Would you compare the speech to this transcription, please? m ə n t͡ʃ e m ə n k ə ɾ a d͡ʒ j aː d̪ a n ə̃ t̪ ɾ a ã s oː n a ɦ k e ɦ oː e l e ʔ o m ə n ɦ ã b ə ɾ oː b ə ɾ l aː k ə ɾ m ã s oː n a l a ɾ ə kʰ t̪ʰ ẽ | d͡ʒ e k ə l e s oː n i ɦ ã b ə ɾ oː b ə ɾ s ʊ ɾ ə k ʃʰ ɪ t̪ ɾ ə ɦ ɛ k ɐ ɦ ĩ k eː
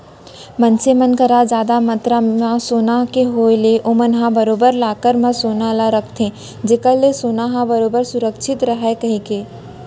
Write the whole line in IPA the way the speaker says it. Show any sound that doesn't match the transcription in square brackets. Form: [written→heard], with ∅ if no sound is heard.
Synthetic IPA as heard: m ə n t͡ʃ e m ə n k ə ɾ a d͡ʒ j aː d̪ a [n→m] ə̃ t̪ ɾ a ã s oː n a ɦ k e ɦ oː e l e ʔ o m ə n ɦ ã b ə ɾ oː b ə ɾ l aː k ə ɾ m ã s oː n a l a ɾ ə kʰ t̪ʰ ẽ | d͡ʒ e k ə l e s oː n [i→a] ɦ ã b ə ɾ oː b ə ɾ s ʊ ɾ ə k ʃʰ ɪ t̪ ɾ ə ɦ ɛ k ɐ ɦ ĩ k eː